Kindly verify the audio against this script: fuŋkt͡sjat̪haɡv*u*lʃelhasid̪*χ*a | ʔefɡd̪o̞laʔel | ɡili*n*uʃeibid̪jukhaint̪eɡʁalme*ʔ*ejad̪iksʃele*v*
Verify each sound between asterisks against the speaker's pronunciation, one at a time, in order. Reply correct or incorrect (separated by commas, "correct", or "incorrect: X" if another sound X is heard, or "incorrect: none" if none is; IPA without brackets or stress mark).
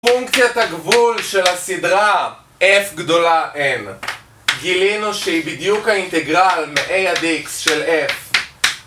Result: correct, incorrect: ʁ, correct, correct, incorrect: f